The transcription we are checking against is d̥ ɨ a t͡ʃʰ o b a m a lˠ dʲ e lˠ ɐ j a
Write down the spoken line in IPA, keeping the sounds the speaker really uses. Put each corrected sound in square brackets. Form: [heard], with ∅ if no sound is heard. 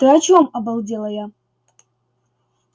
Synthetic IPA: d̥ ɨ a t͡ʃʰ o [m] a [b] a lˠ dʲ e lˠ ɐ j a